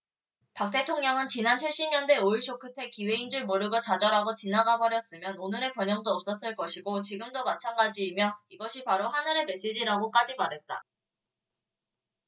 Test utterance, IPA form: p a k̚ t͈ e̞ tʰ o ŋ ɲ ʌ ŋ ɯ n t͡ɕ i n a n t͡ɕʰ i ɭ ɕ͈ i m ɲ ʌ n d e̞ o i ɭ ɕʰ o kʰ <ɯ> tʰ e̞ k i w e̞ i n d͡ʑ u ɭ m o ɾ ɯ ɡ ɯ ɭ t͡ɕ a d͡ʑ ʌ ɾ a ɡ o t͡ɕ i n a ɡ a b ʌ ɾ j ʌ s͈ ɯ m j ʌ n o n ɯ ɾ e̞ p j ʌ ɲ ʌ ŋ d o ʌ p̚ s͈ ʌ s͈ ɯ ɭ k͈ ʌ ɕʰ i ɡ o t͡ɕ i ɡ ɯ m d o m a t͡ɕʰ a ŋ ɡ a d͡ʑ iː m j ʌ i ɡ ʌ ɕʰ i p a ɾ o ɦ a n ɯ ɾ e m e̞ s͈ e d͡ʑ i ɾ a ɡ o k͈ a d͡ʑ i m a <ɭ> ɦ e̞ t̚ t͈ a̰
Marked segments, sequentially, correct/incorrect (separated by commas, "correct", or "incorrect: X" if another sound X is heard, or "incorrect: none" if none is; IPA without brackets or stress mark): correct, incorrect: ɾ